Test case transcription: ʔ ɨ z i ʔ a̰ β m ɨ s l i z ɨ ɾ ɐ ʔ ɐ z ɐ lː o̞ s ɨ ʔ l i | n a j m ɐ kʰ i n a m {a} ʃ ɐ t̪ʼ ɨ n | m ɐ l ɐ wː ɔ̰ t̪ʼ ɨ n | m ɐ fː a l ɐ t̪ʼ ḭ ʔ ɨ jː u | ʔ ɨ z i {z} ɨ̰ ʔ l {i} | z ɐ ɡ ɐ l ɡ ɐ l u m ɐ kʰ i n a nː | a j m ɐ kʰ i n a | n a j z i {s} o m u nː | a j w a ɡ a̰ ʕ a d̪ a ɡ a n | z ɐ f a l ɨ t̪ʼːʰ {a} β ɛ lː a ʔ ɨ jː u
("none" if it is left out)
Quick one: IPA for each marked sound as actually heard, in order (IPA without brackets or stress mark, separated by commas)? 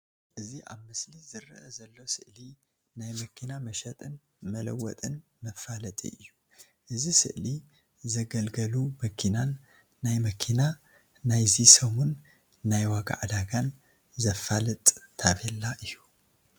ɐ, s, i, s, a